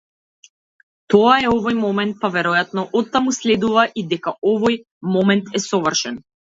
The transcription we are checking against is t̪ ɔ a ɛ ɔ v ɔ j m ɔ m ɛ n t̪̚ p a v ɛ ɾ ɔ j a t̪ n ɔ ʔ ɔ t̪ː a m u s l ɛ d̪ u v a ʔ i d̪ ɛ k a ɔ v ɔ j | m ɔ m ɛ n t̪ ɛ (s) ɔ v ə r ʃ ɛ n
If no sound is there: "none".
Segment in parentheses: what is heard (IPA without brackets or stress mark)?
s